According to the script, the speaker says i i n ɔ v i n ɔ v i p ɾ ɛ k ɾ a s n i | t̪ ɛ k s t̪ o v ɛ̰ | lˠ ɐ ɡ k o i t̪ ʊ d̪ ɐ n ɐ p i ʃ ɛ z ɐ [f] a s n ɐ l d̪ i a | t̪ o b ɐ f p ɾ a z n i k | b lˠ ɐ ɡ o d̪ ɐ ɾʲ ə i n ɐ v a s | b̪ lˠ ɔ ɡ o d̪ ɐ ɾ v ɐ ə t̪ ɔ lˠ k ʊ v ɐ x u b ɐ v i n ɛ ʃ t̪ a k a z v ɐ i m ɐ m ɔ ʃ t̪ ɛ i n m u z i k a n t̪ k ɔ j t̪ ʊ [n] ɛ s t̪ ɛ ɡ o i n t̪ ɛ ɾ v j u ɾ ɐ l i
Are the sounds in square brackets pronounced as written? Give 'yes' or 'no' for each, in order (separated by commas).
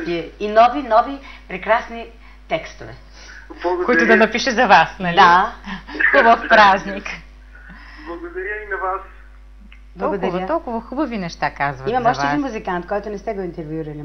no, yes